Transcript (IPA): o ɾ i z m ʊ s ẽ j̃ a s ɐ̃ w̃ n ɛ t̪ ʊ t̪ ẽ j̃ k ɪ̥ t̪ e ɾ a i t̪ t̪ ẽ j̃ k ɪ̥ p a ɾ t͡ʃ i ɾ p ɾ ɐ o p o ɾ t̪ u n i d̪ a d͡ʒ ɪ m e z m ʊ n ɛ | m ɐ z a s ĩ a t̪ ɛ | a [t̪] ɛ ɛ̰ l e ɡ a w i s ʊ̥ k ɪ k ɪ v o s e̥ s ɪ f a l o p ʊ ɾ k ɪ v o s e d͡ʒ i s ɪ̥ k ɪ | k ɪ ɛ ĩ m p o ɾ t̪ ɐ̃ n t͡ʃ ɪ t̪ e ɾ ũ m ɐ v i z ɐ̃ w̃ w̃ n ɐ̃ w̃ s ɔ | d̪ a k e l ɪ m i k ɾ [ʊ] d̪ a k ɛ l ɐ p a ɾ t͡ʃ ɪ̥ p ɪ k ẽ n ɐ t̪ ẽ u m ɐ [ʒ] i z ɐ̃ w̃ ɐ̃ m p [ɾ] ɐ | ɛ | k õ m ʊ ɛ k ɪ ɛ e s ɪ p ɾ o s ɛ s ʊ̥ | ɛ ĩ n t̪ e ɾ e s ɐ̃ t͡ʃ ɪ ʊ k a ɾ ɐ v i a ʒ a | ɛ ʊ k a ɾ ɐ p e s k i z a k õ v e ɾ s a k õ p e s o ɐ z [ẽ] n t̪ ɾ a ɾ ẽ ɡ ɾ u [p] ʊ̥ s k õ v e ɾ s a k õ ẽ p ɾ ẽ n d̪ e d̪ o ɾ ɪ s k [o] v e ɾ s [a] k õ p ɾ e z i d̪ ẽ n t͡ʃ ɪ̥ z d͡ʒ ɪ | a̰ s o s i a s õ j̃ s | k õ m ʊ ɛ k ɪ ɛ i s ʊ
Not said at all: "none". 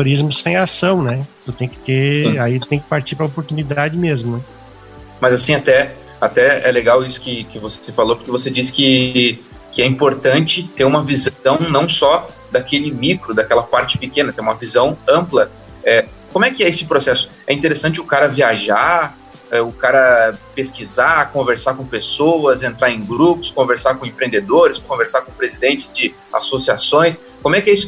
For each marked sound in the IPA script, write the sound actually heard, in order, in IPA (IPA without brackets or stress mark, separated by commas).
t̪, ʊ, v, l, ẽ, p, õ, a